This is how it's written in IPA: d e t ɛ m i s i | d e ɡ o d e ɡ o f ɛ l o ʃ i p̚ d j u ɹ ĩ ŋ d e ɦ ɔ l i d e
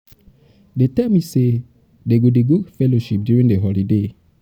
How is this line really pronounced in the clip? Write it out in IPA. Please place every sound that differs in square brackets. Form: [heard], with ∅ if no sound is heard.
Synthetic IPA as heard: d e t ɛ m i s [e] | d e ɡ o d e ɡ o f ɛ l o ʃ i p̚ d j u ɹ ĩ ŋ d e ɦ ɔ l i d e